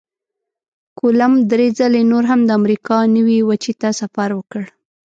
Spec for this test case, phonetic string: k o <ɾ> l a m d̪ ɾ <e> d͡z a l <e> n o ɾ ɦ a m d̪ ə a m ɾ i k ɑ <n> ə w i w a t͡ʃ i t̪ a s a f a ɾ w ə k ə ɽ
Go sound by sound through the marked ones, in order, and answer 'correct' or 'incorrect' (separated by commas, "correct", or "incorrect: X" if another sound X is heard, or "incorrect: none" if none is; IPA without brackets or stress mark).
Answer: incorrect: none, correct, correct, correct